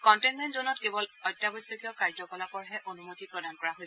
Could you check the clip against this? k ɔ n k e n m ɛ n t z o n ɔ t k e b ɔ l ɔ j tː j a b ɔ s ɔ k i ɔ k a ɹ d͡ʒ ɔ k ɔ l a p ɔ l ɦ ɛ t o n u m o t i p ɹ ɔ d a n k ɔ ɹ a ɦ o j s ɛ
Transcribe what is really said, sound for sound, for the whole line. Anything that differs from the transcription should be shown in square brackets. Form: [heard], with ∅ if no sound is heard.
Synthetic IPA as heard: k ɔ n [t] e n m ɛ n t z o n ɔ t k e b ɔ l ɔ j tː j a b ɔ s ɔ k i ɔ k a ɹ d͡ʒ ɔ k ɔ l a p ɔ [ɹ] ɦ ɛ [ʔ] o n u m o t i p ɹ ɔ d a n k ɔ ɹ a ɦ o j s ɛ